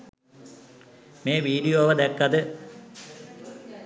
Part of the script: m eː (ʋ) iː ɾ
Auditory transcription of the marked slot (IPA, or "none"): ʋ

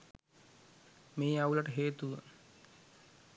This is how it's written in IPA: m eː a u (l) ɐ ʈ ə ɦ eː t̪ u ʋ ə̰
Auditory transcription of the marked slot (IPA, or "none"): l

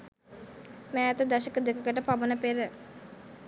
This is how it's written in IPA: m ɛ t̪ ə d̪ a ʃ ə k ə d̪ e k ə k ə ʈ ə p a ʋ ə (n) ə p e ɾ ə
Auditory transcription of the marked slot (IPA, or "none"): n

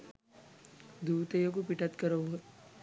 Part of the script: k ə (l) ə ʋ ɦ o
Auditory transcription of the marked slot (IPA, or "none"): ɾ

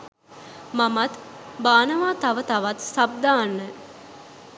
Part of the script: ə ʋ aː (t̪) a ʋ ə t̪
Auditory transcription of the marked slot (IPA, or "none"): t̪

